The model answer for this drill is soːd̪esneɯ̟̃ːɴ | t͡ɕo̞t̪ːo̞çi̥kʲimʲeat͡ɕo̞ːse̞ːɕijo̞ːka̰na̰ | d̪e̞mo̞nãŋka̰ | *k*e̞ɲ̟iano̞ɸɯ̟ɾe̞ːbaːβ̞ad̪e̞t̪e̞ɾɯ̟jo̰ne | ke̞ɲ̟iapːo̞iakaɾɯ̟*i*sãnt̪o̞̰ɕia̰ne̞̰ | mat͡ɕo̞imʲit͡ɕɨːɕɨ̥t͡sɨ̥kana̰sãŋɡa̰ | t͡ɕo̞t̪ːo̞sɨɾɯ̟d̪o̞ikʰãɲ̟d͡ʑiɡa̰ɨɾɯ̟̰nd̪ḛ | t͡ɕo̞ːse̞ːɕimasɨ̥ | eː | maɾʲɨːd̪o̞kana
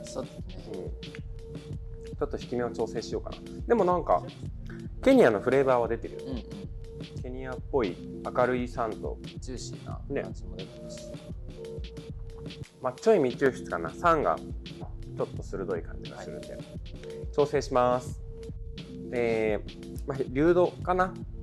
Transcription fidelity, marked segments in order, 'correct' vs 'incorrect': correct, correct

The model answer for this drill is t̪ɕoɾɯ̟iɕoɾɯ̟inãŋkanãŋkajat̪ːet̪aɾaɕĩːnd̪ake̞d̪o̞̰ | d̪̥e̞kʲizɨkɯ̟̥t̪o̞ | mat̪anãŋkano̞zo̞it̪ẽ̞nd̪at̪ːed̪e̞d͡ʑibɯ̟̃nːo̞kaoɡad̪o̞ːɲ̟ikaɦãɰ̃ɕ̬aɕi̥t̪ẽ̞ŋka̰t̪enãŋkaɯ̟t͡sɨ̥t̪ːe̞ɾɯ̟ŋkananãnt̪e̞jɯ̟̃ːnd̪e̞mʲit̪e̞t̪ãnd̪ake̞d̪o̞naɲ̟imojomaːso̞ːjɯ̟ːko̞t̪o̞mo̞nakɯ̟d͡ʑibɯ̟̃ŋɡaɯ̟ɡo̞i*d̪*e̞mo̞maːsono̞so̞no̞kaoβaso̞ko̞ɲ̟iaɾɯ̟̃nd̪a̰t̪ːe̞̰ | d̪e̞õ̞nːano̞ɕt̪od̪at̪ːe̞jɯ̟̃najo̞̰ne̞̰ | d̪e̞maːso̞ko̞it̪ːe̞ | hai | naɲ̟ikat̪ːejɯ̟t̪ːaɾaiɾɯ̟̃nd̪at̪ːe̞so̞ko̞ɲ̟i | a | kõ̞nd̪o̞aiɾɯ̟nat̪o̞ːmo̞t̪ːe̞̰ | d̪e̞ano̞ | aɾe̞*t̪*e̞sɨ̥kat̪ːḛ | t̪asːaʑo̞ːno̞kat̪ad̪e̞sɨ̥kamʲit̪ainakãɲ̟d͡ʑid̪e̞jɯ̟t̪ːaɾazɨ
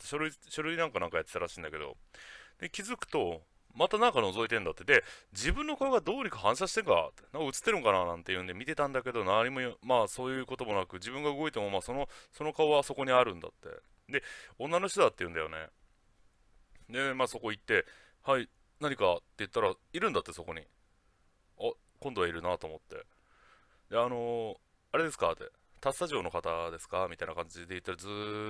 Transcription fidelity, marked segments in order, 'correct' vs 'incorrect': incorrect, incorrect

